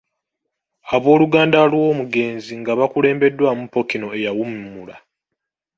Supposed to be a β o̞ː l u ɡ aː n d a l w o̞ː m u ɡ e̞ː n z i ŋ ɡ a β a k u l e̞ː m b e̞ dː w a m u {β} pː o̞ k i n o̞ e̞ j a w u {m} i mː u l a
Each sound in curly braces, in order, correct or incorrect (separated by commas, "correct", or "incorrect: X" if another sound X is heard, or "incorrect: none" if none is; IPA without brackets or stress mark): incorrect: none, correct